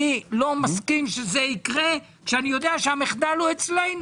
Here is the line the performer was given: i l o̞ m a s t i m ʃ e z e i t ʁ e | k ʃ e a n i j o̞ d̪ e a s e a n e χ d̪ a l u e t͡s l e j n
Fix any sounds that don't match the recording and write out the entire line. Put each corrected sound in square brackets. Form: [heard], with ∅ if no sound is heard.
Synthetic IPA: i l o̞ m a s [k] i m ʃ e z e i [k] ʁ e | k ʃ e a n i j o̞ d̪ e a [ʃ] e a [m] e χ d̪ a l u e t͡s l e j n